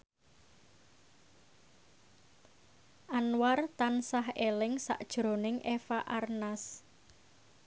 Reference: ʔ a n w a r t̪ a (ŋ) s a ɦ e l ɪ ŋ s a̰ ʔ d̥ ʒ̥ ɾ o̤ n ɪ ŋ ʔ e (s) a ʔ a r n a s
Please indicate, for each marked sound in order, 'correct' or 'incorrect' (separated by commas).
incorrect, incorrect